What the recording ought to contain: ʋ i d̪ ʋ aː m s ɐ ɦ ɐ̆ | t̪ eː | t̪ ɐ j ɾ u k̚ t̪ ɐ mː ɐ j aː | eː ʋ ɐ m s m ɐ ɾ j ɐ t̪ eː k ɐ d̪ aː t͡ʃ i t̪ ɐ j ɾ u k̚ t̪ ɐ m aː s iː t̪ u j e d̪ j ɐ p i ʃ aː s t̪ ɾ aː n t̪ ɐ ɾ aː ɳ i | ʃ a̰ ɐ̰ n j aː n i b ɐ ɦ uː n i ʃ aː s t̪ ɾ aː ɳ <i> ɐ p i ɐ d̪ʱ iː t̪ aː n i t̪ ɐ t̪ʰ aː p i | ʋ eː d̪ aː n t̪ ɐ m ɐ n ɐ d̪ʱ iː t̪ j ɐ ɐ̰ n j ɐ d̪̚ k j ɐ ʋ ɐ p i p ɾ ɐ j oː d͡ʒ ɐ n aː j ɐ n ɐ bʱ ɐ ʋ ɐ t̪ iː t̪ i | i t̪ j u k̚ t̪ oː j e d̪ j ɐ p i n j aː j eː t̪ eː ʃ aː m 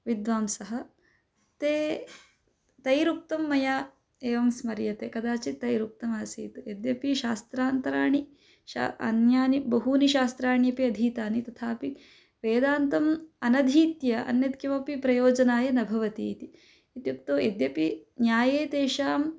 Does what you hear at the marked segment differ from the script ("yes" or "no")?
yes